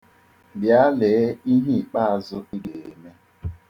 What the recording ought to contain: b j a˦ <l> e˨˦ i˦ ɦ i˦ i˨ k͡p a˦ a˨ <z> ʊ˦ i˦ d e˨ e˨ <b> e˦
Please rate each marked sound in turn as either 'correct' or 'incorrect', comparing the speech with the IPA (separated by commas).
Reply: correct, correct, incorrect